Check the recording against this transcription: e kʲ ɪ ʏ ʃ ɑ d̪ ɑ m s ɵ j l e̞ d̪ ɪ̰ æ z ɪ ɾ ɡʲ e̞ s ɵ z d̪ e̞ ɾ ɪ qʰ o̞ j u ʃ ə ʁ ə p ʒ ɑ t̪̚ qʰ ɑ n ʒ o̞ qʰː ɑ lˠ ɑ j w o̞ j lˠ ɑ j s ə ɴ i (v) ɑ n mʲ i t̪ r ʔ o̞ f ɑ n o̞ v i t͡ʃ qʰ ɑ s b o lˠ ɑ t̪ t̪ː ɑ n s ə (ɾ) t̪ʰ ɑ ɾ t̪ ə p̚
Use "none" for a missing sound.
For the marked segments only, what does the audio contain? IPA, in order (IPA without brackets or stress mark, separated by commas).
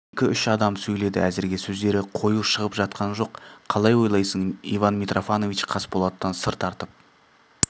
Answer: v, ɾ